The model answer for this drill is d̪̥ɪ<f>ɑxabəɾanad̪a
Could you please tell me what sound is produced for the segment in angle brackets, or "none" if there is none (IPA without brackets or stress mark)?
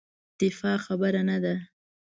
f